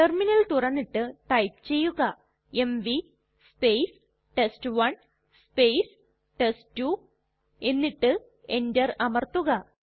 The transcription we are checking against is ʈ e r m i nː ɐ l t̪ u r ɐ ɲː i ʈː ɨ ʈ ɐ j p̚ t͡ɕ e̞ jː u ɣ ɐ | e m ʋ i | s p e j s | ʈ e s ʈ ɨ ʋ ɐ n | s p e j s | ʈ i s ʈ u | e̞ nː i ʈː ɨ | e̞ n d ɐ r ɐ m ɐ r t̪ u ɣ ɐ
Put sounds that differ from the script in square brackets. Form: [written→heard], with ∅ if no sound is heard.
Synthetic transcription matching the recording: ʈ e r m i [nː→n] ɐ l t̪ u r ɐ [ɲː→nː] i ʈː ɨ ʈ ɐ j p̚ t͡ɕ e̞ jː u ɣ ɐ | e m ʋ i | s p e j s | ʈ e s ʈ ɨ ʋ ɐ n | s p e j s | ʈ [i→e] s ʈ u | e̞ nː i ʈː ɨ | e̞ n d ɐ r ɐ m ɐ r t̪ u ɣ ɐ